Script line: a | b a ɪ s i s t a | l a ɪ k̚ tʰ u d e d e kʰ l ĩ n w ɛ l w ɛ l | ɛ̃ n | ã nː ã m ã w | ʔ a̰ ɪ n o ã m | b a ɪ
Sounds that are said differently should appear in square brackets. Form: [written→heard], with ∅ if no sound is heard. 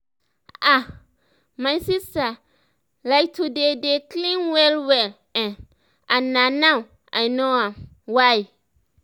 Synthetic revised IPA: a | [b→m] a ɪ s i s t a | l a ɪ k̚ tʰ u d e d e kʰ l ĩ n w ɛ l w ɛ l | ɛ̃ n | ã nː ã [m→n] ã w | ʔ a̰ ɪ n o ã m | [b→w] a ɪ